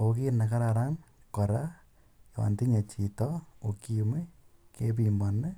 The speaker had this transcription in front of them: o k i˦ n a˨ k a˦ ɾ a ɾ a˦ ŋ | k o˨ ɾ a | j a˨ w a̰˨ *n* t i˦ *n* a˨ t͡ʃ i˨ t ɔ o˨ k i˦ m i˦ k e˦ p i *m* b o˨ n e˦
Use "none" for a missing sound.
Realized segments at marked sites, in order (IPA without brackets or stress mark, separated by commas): n, ɲ, m